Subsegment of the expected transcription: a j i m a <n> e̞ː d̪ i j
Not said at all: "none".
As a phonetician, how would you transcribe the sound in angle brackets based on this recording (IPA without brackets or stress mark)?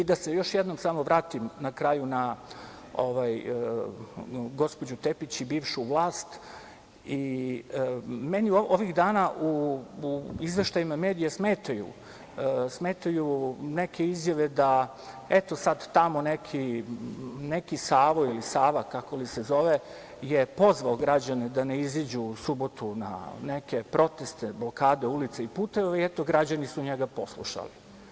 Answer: m